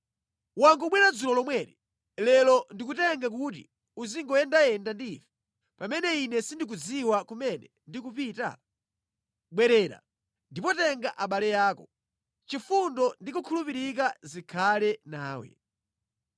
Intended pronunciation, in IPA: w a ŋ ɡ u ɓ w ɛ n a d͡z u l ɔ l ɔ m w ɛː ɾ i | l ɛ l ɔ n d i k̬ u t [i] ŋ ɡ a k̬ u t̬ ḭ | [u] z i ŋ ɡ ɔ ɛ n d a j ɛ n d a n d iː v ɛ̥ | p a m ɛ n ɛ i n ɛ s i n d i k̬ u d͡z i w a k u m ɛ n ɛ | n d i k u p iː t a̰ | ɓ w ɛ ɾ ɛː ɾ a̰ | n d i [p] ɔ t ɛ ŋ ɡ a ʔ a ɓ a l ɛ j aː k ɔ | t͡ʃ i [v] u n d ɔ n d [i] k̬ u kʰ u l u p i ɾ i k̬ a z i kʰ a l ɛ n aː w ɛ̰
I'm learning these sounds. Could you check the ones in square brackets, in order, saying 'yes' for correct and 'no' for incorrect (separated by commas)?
no, yes, yes, no, yes